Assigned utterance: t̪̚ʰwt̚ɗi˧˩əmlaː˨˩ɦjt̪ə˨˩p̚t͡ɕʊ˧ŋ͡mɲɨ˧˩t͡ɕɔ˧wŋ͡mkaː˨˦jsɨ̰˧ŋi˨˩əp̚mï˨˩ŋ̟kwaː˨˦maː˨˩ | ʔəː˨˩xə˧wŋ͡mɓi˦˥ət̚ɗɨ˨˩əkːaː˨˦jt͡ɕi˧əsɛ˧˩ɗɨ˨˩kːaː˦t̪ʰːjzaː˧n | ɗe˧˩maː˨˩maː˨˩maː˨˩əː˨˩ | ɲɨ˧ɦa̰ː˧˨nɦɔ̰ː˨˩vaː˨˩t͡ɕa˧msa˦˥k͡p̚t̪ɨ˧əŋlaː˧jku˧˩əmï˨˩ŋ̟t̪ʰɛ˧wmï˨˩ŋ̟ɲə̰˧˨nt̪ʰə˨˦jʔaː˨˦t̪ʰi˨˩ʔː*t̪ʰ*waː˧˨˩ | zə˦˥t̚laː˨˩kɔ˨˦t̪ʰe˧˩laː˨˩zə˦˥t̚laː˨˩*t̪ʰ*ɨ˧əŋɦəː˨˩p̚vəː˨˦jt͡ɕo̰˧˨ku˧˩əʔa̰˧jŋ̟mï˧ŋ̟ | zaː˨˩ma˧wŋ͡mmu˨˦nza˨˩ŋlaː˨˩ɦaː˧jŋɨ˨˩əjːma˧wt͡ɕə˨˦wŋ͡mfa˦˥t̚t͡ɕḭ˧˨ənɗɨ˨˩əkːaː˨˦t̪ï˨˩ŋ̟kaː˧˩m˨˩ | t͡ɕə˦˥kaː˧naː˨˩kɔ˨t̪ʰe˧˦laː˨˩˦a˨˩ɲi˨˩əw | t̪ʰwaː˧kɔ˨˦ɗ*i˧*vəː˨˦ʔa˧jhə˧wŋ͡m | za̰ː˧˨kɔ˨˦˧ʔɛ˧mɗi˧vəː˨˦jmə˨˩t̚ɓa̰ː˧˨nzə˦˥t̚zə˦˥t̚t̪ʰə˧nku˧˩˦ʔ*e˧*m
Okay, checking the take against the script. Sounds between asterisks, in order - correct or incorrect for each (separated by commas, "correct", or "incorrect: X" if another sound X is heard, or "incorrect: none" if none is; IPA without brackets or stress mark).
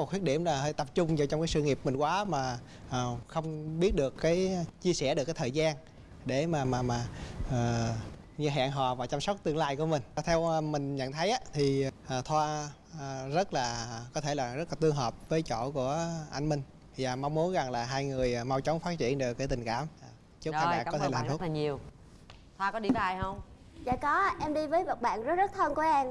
correct, incorrect: t̪, correct, incorrect: ɛ˧